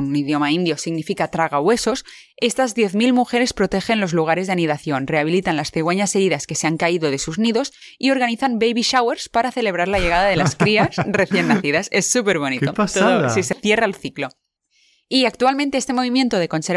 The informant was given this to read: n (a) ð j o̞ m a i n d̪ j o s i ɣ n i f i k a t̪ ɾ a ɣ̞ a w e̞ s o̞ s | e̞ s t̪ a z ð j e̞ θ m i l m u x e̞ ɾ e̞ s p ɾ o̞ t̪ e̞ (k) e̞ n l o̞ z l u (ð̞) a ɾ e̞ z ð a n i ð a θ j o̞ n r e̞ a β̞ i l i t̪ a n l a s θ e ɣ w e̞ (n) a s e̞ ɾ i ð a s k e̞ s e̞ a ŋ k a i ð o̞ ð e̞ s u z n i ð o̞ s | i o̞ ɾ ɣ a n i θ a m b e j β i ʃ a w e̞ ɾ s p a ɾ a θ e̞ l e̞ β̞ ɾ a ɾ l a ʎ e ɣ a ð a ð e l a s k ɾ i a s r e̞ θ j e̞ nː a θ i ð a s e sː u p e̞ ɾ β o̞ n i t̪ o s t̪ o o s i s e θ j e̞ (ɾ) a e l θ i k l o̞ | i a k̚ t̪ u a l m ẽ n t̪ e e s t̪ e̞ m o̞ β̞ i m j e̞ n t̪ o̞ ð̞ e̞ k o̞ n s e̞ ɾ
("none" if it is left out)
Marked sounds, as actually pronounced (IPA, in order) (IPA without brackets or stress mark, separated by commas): i, x, ɣ̞, ɲ, r